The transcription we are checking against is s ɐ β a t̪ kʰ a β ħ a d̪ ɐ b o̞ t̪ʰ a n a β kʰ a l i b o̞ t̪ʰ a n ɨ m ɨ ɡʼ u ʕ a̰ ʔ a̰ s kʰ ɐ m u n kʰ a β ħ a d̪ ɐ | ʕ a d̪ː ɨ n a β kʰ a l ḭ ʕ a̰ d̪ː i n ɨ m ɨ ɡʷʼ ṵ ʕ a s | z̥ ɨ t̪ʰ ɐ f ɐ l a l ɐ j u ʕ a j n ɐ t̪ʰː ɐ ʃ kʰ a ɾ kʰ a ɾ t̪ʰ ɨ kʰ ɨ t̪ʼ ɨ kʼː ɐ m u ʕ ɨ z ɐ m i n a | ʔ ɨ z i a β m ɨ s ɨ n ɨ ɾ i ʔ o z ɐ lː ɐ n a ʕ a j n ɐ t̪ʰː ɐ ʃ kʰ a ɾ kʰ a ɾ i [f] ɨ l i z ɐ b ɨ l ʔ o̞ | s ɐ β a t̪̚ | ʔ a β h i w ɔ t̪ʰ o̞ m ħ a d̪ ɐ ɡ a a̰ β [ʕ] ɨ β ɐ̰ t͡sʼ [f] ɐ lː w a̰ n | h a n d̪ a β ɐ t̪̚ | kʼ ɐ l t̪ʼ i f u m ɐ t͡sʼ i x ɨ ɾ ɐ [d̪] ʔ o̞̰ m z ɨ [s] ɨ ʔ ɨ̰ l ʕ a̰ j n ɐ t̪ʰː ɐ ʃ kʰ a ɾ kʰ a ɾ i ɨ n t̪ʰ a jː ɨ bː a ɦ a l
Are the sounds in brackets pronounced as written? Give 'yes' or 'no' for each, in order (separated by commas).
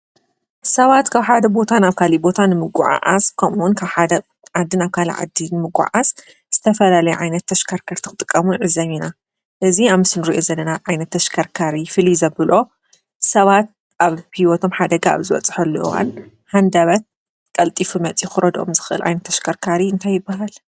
yes, no, no, yes, no